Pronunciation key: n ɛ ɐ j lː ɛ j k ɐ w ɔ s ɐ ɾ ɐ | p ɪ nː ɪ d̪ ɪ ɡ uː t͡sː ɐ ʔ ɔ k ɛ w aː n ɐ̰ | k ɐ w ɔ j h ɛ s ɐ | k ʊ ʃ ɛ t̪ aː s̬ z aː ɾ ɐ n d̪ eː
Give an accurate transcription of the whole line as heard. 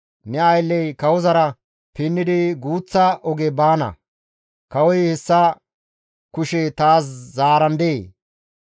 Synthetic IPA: n ɛ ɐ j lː ɛ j k ɐ w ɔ z ɐ ɾ ɐ | p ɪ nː ɪ d̪ ɪ ɡ uː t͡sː ɐ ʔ ɔ ɡ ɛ b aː n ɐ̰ | k ɐ w ɔ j h ɛ sː ɐ | k ʊ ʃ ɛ t̪ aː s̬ z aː ɾ ɐ n d̪ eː